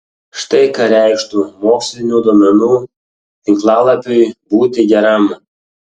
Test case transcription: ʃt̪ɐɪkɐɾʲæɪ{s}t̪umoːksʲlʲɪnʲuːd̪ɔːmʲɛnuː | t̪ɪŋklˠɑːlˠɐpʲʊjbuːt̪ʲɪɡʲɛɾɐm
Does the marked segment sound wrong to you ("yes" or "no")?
yes